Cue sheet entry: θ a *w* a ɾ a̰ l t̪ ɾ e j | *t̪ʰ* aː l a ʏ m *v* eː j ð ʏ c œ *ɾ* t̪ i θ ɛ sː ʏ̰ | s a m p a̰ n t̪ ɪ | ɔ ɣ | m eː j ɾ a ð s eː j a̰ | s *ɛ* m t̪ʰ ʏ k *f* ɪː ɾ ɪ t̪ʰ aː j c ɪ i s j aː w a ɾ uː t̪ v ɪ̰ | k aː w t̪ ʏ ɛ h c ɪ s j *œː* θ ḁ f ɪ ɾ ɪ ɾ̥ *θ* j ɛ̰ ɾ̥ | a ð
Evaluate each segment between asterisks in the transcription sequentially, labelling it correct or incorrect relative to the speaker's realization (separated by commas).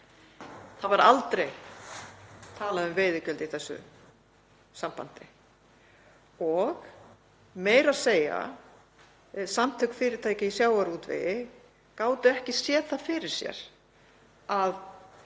incorrect, correct, correct, incorrect, incorrect, correct, incorrect, incorrect